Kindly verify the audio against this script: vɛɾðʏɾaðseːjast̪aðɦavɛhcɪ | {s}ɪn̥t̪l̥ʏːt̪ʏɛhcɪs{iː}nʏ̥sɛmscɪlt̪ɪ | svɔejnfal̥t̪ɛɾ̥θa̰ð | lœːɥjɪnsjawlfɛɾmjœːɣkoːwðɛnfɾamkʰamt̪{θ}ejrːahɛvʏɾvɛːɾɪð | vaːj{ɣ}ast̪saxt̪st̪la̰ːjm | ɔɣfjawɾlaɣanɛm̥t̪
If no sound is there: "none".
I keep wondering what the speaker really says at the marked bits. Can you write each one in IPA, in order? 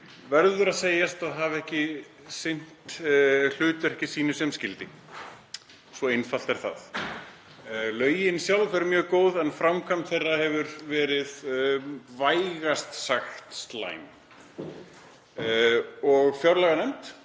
s, iː, θ, ɣ

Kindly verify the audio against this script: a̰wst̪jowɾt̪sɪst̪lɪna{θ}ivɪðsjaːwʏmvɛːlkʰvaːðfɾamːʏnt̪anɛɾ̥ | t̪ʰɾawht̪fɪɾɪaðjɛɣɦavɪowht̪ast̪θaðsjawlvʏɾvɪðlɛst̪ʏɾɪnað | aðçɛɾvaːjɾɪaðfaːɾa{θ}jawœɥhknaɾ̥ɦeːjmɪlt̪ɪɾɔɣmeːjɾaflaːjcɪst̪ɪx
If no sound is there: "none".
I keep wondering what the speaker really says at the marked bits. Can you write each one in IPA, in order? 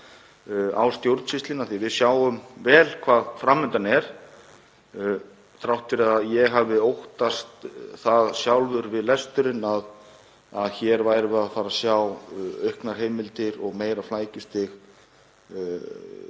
θ, s

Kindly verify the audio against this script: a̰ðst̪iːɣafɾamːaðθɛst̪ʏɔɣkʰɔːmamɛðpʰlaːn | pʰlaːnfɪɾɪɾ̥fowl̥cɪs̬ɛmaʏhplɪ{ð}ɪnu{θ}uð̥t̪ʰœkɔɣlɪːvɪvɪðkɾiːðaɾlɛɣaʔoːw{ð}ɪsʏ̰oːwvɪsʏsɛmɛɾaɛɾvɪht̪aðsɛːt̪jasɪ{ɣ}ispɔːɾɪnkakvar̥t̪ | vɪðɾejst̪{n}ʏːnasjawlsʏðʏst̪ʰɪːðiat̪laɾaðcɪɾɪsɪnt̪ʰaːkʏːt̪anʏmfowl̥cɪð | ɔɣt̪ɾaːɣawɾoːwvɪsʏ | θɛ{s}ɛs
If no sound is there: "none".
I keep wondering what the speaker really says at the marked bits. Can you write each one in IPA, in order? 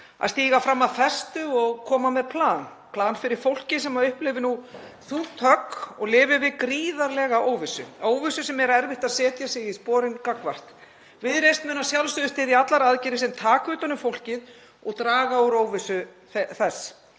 v, θ, v, ɣ, m, θ

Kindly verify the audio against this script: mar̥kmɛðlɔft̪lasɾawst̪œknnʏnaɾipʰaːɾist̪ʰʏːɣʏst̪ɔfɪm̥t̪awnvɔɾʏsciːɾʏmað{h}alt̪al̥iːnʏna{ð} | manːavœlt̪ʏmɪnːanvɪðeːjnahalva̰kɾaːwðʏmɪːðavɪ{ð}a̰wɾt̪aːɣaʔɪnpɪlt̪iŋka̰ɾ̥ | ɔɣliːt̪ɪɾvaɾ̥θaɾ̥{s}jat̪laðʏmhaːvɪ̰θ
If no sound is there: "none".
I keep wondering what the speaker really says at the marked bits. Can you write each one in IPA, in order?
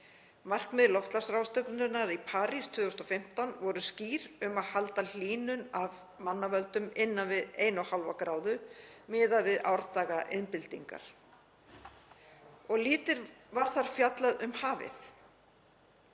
h, v, ð, f

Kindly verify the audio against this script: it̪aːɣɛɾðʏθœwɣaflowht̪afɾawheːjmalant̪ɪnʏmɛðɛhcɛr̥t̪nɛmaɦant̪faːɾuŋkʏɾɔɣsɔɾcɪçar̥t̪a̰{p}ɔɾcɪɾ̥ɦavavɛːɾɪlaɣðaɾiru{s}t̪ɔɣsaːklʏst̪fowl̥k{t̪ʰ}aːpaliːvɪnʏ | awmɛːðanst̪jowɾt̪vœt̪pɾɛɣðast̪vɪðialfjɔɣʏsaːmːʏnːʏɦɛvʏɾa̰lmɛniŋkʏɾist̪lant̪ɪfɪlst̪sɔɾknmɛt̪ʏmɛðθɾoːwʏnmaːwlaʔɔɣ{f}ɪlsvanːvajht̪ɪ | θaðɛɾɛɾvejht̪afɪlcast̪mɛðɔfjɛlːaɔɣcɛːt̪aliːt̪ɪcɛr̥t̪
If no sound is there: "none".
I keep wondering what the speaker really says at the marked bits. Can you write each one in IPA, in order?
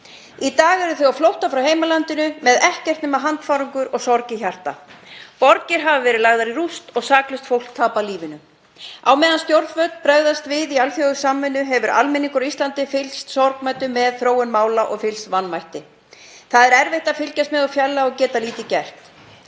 p, s, t̪ʰ, f

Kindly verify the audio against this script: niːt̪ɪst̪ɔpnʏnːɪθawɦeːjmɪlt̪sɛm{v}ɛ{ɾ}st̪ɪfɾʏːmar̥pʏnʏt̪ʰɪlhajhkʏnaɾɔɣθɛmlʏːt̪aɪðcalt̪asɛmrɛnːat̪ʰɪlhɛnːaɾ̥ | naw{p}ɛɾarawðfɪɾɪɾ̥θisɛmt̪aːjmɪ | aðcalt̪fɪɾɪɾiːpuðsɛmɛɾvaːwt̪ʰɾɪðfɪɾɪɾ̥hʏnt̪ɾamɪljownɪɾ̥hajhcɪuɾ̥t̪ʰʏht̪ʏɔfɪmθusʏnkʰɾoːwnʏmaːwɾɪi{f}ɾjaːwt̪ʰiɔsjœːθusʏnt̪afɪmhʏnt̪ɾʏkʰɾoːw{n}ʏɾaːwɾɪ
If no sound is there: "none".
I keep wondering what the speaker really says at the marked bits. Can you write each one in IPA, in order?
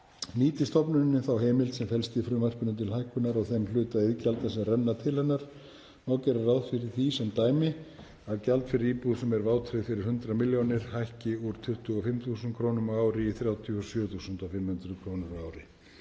f, l, c, θ, n

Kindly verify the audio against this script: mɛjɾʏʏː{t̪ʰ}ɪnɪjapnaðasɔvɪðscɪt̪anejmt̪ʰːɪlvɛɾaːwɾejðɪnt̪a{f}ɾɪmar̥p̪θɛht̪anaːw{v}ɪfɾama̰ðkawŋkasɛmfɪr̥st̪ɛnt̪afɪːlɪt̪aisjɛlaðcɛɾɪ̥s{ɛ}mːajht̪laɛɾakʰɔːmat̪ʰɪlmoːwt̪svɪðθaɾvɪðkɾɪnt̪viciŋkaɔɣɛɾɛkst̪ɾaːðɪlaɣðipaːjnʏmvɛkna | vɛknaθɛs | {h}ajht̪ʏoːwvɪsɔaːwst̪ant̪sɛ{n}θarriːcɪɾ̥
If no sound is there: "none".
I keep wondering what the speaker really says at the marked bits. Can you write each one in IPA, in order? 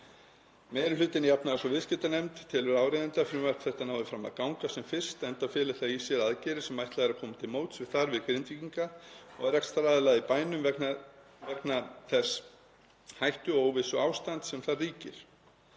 t̪, f, ð, ɛ, h, m

